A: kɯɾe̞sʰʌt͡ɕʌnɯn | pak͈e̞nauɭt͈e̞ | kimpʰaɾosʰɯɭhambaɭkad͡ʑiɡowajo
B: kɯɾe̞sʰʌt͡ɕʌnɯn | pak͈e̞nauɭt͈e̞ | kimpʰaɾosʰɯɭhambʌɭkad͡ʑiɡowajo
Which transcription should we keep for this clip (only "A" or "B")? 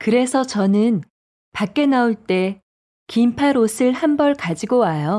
B